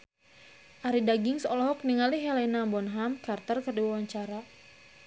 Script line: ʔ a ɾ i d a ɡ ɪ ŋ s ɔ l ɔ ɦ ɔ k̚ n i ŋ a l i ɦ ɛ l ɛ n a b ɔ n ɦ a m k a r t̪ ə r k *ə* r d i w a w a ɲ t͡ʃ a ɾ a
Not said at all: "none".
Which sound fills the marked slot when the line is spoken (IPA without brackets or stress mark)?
ə